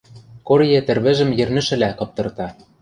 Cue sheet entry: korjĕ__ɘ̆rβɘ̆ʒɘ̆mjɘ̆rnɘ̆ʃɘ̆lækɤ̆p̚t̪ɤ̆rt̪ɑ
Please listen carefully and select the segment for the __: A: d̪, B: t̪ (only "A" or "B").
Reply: B